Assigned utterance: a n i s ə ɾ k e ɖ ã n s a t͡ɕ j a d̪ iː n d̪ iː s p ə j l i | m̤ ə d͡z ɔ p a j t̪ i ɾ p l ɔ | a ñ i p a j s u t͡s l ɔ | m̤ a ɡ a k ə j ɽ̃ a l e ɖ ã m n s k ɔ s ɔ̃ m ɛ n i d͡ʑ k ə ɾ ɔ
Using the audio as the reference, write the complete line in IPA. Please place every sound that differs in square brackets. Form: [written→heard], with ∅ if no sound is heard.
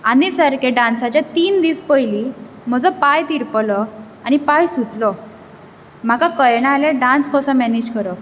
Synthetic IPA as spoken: a n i s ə ɾ k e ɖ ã n s a t͡ɕ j a [d̪→t̪] iː n d̪ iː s p ə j l i | m̤ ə d͡z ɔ p a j t̪ i ɾ p l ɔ | a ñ i p a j s u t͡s l ɔ | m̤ a [ɡ→k] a k ə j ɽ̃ a l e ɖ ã [m→∅] n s k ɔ s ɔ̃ m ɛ n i d͡ʑ k ə ɾ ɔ